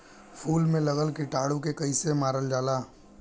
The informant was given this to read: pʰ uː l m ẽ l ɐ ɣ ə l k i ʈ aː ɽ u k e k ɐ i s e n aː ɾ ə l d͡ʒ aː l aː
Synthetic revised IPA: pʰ uː l m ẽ l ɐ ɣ ə l k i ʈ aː ɽ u k e k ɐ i s e m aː ɾ ə l d͡ʒ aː l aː